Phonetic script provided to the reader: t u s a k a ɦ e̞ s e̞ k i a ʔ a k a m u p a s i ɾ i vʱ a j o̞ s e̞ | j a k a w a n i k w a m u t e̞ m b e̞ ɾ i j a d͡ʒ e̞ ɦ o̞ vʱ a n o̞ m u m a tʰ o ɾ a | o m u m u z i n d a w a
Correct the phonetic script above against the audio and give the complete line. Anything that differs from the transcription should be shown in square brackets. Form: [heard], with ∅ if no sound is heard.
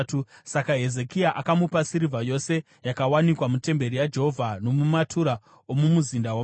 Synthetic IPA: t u s a k a ɦ e̞ [z] e̞ k i a ʔ a k a m u p a s i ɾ i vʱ a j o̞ s e̞ | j a k a w a n i k w a m u t e̞ m b e̞ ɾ i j a d͡ʒ e̞ ɦ o̞ vʱ a n o̞ m u m a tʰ [u] ɾ a | o m u m u z i n d a w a